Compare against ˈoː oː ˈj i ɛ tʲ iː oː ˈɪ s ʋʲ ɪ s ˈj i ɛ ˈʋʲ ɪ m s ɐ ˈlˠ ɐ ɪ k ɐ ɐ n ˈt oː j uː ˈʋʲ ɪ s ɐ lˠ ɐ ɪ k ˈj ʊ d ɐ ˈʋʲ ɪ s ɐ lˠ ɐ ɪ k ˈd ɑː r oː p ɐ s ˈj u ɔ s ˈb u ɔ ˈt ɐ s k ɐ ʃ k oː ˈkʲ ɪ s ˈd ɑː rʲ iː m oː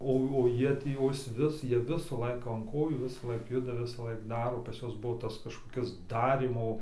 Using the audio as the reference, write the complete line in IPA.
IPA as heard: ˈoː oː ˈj i ɛ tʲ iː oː ˈɪ s ʋʲ ɪ s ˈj i ɛ ˈʋʲ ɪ s ɐ ˈlˠ ɐ ɪ k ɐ ɐ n ˈk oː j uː ˈʋʲ ɪ s ɐ lˠ ɐ ɪ k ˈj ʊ d ɐ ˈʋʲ ɪ s ɐ lˠ ɐ ɪ k ˈd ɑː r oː p ɐ s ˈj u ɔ s ˈb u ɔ ˈt ɐ s k ɐ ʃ k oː ˈkʲ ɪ s ˈd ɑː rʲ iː m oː